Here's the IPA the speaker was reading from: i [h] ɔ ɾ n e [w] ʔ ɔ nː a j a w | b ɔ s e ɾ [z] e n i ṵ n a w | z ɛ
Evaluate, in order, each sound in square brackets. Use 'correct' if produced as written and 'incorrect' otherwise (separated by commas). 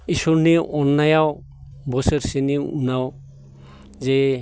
incorrect, incorrect, incorrect